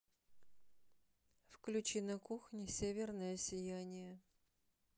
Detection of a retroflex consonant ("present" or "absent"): absent